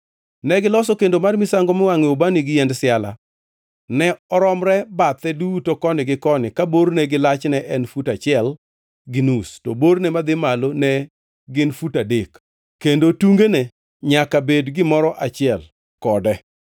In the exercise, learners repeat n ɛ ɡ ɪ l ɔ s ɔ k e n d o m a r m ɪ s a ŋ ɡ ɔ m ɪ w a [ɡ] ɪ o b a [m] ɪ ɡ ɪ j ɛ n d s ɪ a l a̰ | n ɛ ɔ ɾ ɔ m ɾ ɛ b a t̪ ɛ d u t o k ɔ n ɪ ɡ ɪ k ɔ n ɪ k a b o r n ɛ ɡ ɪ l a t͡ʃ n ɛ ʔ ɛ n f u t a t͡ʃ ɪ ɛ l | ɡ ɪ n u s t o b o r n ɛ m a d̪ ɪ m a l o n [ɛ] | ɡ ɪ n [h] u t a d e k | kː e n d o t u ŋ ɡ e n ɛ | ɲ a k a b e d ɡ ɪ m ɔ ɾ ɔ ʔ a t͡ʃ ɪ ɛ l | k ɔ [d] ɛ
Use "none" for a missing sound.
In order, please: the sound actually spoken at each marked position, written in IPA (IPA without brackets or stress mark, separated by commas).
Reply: ŋ, n, ɛ, f, d